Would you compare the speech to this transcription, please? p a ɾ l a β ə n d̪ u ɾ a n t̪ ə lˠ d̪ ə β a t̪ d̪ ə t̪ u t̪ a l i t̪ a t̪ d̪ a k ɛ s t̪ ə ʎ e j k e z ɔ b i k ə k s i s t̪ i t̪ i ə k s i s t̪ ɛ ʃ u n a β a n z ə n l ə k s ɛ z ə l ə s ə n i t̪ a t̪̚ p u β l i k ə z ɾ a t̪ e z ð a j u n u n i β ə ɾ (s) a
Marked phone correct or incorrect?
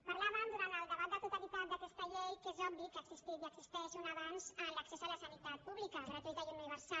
correct